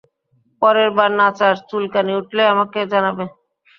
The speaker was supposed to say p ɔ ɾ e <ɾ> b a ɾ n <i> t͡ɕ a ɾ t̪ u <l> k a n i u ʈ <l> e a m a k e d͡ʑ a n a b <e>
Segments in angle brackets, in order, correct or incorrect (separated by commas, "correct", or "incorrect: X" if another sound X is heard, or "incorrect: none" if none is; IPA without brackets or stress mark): correct, incorrect: a, correct, correct, correct